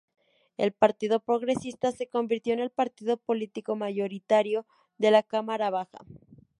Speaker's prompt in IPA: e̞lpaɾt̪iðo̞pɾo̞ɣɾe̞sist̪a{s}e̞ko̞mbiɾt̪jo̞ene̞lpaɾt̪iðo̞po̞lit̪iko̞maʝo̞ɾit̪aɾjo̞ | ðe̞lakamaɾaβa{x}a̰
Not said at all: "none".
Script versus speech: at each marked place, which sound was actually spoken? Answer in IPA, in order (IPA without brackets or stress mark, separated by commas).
s, x